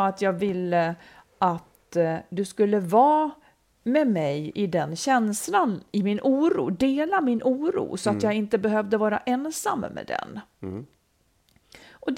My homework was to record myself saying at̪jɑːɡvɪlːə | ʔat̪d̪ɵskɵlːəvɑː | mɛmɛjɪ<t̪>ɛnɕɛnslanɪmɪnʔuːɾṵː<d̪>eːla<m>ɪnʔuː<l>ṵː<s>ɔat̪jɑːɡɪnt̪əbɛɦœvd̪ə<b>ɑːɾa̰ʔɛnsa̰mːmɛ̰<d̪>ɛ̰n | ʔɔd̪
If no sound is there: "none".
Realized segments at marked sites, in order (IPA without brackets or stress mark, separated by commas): d̪, d̪, m, ɾ, s, v, d̪